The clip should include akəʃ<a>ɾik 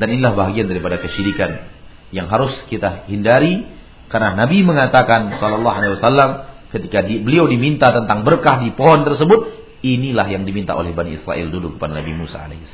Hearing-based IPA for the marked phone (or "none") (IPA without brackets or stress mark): i